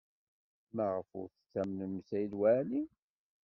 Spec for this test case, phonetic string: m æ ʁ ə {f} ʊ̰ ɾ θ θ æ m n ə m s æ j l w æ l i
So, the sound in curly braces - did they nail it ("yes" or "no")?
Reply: yes